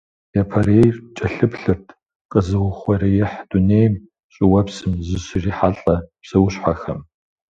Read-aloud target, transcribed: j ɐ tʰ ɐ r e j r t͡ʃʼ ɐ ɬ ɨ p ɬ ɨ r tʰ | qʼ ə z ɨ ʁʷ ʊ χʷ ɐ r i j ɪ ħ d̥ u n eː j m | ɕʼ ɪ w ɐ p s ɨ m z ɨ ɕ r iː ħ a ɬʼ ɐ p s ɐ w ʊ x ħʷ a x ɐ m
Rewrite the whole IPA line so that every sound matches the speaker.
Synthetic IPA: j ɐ pʰ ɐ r e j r t͡ʃʼ ɐ ɬ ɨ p ɬ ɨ r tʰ | qʼ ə z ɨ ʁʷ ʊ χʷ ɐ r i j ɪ ħ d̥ u n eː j m | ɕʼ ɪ w ɐ p s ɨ m z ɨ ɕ r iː ħ a ɬʼ ɐ p s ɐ w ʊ ɕ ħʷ a x ɐ m